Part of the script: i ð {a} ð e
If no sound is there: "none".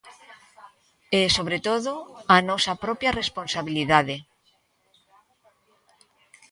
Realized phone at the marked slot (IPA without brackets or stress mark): a